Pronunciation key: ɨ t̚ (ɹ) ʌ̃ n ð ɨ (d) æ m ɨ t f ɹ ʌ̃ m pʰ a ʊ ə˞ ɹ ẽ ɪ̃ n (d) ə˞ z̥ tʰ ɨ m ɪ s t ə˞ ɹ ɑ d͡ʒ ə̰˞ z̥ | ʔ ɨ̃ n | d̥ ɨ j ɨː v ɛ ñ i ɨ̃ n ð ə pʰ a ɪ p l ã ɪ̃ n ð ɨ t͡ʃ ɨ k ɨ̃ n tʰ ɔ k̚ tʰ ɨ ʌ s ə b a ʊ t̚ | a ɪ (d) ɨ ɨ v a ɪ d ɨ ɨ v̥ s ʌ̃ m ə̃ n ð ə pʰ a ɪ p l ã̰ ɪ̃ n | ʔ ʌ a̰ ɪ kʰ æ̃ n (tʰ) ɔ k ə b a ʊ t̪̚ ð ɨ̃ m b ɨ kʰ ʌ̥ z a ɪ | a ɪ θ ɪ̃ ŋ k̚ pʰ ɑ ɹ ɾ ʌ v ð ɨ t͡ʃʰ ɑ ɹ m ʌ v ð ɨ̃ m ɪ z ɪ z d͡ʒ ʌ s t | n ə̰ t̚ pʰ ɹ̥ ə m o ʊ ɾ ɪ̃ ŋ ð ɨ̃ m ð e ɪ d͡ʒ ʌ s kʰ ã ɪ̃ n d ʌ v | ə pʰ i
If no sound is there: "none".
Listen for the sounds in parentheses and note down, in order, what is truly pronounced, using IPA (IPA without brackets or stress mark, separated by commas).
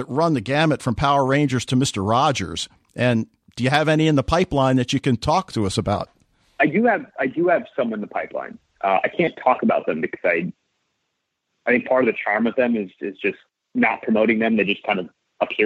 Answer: ɹ, ɡ, d͡ʒ, d, tʰ